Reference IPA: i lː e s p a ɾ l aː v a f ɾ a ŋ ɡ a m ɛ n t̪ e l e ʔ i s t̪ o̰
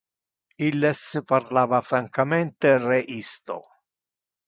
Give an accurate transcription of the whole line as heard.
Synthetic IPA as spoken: i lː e s p a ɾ l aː v a f ɾ a ŋ k a m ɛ n t̪ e r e ʔ i s t̪ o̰